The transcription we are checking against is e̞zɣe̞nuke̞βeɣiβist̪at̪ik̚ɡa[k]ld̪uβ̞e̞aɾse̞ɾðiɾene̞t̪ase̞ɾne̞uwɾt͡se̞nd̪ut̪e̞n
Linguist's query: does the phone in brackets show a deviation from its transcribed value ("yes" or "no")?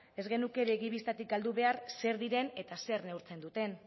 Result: yes